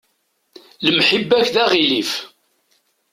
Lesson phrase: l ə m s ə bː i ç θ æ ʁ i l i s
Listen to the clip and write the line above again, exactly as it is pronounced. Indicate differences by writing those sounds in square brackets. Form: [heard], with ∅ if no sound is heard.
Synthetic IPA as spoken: l ə m [ħ] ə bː [æ] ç [ð] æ ʁ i l i [f]